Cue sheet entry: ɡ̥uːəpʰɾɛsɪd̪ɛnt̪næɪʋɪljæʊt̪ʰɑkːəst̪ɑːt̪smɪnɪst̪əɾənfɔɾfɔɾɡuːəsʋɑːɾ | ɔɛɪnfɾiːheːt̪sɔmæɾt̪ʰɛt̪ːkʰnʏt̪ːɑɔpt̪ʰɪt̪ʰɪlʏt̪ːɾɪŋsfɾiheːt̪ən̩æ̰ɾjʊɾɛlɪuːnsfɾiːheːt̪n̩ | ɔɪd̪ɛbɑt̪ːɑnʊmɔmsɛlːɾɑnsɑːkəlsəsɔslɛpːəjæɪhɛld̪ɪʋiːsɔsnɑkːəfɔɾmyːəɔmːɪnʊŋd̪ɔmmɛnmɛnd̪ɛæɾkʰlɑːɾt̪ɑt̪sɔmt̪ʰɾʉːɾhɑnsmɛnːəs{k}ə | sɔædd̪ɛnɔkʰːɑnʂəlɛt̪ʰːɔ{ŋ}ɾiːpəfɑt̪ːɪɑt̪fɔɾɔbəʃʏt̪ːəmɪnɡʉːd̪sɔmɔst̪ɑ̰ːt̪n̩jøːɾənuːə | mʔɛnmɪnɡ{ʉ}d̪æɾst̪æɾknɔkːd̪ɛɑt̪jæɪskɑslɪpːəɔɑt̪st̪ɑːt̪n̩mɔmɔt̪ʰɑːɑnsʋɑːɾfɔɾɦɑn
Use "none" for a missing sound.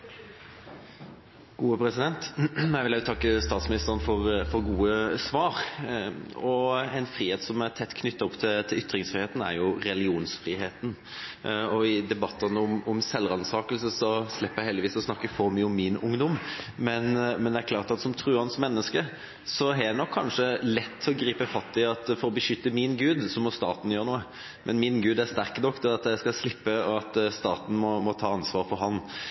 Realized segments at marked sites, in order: k, ɡ, ʉː

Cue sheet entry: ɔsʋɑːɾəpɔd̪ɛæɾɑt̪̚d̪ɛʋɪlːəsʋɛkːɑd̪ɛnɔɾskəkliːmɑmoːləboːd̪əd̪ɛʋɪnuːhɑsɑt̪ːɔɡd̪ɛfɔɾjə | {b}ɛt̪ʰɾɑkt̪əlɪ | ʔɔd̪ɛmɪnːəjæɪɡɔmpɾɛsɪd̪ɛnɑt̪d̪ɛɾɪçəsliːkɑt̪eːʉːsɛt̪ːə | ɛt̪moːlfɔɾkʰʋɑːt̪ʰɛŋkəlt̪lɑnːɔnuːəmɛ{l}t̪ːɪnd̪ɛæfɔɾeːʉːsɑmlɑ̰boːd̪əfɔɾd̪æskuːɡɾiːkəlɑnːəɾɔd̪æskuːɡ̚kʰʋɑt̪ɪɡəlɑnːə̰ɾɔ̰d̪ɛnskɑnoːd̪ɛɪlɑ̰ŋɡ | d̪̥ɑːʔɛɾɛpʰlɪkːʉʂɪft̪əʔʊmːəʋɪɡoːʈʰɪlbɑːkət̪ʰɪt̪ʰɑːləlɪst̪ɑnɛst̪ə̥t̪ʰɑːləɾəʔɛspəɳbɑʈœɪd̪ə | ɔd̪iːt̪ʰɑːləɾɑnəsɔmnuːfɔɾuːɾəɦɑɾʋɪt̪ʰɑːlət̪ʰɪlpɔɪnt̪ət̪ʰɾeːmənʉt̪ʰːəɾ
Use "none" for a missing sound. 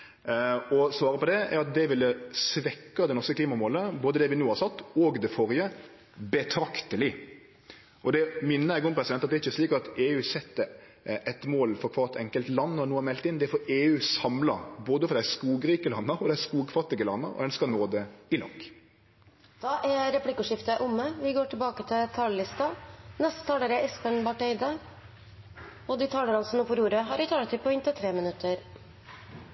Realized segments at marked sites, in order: b, l

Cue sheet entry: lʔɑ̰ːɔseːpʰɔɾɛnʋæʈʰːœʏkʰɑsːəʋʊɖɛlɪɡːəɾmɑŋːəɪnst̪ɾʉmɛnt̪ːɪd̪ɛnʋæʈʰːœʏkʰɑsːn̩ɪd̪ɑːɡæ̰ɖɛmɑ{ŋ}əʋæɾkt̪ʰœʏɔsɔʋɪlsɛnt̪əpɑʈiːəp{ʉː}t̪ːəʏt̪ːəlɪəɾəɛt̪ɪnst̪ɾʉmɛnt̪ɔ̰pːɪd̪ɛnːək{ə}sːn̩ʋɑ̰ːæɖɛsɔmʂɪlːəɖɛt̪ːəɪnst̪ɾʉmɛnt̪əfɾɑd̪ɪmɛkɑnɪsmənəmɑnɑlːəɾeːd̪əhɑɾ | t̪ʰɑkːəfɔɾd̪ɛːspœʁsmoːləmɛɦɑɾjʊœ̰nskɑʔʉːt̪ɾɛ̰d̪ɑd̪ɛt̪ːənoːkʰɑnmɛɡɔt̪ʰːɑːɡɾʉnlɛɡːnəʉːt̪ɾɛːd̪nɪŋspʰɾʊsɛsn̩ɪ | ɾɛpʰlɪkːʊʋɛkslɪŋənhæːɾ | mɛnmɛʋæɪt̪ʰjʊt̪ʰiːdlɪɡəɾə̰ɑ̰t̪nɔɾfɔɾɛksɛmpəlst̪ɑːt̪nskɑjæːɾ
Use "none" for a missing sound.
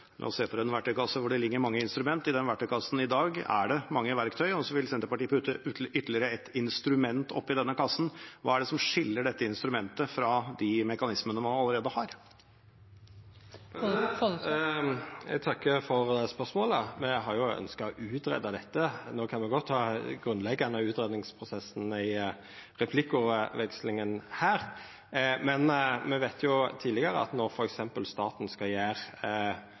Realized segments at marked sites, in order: ŋː, ʉ, ɑ

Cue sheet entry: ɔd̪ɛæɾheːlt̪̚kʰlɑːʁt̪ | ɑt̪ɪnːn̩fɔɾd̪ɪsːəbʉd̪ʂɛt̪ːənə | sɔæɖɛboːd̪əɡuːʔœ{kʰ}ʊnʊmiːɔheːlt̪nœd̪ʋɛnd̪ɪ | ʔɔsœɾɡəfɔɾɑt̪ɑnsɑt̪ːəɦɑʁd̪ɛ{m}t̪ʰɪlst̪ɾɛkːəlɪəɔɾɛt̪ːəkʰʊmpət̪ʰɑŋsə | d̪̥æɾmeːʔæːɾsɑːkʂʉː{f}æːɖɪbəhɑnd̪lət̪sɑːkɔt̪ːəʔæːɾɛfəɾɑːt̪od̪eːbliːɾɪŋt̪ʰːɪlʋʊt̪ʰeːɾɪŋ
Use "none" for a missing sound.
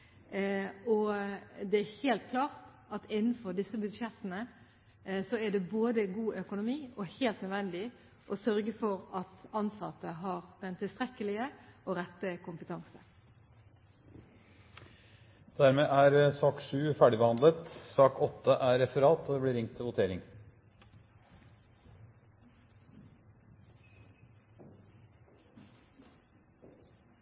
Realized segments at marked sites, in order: k, n, f

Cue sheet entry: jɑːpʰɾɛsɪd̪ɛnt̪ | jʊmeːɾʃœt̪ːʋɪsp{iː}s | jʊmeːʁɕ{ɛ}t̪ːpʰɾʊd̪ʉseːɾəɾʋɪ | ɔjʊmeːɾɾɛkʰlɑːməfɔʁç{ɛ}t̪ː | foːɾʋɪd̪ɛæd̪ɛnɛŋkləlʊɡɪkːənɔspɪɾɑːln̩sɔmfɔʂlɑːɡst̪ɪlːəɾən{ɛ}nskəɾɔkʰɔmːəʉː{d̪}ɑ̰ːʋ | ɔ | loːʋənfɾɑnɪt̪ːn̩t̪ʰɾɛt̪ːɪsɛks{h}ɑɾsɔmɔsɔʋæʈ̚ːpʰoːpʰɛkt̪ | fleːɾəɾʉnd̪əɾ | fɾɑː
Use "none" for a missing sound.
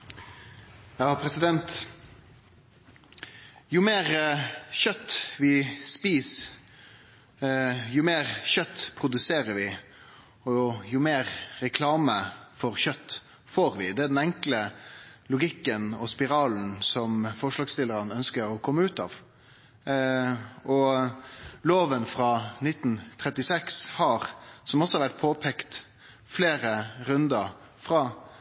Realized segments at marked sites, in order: iː, œ, œ, œ, t̪, h

